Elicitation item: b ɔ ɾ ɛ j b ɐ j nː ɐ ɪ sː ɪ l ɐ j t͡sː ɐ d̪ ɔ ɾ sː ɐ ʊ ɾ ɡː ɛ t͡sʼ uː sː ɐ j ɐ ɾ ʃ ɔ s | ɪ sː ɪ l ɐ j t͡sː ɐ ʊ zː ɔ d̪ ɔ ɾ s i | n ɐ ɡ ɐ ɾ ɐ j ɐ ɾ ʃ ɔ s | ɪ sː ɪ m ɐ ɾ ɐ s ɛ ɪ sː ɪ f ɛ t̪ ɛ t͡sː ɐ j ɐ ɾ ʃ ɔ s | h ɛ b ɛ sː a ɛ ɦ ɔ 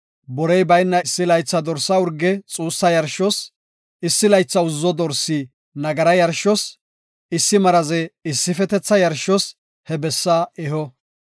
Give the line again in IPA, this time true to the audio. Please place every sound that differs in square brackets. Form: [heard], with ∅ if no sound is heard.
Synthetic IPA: b ɔ ɾ ɛ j b ɐ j nː ɐ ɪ sː ɪ l ɐ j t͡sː ɐ d̪ ɔ ɾ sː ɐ ʊ ɾ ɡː ɛ t͡sʼ uː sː ɐ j ɐ ɾ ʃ ɔ s | ɪ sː ɪ l ɐ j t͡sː ɐ ʊ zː ɔ d̪ ɔ ɾ s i | n ɐ ɡ ɐ ɾ ɐ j ɐ ɾ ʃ ɔ s | ɪ sː ɪ m ɐ ɾ ɐ [z] ɛ ɪ sː ɪ f ɛ t̪ ɛ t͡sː ɐ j ɐ ɾ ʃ ɔ s | h ɛ b ɛ sː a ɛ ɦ ɔ